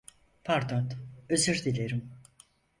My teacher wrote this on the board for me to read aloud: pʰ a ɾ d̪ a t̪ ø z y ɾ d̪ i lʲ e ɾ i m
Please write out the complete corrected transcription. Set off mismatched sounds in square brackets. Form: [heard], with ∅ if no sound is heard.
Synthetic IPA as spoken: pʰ a ɾ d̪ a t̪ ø z y ɾ d̪ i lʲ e ɾ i m